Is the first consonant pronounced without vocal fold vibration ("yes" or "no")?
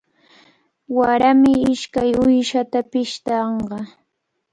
no